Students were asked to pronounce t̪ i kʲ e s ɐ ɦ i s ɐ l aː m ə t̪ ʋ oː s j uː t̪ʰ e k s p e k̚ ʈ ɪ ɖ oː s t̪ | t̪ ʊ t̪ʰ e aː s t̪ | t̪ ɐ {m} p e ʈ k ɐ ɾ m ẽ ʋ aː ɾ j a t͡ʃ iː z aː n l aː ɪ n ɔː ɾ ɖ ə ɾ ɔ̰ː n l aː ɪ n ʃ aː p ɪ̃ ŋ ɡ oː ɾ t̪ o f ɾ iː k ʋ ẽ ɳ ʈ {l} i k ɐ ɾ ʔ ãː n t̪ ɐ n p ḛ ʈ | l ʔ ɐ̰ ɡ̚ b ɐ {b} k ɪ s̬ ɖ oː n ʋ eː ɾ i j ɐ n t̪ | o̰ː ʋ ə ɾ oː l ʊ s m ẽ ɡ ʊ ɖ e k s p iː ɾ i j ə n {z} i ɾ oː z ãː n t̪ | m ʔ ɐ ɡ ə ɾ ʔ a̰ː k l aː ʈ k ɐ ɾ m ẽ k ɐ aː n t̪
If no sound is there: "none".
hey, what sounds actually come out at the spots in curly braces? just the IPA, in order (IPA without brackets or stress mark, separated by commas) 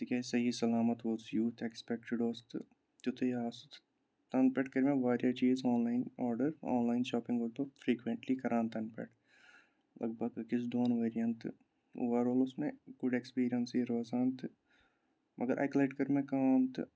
n, l, ɡ, s